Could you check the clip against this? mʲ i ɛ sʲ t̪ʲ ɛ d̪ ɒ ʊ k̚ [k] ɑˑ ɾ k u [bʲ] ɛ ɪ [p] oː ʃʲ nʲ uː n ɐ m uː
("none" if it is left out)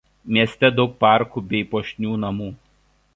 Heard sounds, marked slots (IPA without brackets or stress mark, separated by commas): p, bʲ, p